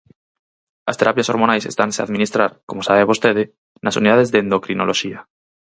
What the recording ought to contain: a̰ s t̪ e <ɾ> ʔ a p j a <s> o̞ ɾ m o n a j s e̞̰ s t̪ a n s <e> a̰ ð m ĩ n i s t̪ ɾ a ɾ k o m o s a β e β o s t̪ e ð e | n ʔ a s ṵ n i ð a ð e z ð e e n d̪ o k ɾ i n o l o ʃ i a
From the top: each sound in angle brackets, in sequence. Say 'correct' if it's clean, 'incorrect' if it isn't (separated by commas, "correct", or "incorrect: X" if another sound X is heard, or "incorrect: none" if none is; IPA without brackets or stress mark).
correct, correct, correct